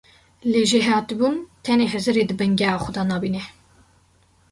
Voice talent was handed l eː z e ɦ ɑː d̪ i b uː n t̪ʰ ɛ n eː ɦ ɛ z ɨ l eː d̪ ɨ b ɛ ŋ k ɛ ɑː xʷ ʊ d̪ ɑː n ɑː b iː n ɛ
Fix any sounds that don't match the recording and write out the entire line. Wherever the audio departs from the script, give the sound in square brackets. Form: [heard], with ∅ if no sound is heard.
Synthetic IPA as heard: l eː [ʒ] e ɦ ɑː [t̪] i b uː n t̪ʰ ɛ n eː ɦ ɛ z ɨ [ɾ] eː d̪ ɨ b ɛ ŋ [ɡ] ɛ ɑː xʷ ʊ d̪ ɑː n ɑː b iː n ɛ